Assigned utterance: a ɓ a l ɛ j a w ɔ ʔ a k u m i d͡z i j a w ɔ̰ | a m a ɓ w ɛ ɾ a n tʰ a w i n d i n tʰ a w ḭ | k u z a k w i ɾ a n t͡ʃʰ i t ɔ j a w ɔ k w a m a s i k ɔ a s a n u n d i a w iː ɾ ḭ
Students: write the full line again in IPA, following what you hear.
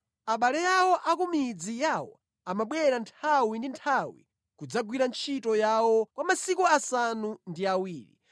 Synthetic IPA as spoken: a ɓ a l ɛ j a w ɔ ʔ a k u m i d͡z i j a w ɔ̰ | a m a ɓ w ɛ ɾ a n tʰ a w i n d i n tʰ a w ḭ | k u d͡z a ɡ w i ɾ a n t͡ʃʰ i t ɔ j a w ɔ k w a m a s i k u a s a n u n d i a w iː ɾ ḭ